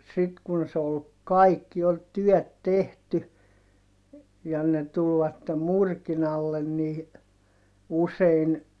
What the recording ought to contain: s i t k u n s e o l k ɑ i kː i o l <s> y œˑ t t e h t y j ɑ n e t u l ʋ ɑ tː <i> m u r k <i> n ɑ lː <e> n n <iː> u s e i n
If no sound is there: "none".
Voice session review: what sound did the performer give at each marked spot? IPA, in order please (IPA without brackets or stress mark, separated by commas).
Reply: t, e, i, e, iː